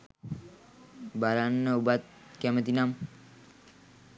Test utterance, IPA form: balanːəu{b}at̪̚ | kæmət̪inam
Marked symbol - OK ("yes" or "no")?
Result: yes